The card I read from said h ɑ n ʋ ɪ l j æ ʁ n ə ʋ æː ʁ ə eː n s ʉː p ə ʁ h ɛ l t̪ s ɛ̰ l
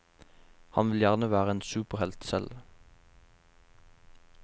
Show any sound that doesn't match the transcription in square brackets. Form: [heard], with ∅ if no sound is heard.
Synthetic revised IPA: h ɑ n ʋ ɪ l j æ ʁ n ə ʋ æː ʁ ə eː n s ʉː p ə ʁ h ɛ l t̪ s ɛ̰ l